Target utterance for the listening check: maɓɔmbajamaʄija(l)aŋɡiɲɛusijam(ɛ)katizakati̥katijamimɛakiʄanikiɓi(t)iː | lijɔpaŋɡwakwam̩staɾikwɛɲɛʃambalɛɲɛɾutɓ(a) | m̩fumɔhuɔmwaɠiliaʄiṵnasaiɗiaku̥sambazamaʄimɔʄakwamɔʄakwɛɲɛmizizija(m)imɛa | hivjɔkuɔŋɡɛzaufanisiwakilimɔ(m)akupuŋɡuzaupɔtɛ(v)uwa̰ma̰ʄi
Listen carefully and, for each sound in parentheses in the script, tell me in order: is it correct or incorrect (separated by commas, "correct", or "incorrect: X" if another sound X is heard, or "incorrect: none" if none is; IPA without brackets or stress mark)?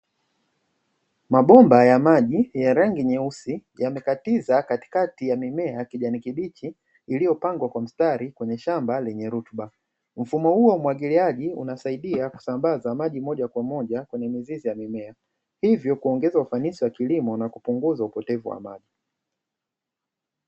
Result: incorrect: ɾ, correct, incorrect: t͡ʃ, correct, correct, incorrect: n, correct